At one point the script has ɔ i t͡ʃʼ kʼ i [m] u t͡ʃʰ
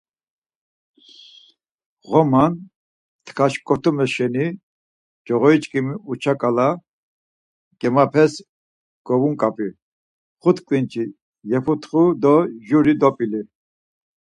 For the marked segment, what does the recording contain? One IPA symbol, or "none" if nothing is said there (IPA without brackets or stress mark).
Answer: m